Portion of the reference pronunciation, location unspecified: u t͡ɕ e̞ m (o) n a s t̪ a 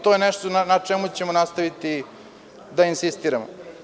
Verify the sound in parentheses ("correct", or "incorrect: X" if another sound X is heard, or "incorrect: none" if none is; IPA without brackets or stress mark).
correct